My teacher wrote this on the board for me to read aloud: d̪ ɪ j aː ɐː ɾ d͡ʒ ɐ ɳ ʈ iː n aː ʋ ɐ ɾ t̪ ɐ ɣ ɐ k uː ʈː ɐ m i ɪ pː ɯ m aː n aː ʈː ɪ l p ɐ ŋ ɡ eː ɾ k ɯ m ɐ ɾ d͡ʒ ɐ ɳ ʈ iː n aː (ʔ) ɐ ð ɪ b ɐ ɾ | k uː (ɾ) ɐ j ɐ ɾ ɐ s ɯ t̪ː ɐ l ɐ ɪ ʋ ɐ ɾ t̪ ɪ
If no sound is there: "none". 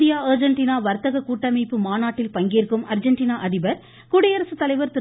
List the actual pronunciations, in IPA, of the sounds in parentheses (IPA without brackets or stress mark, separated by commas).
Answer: ʔ, ɽ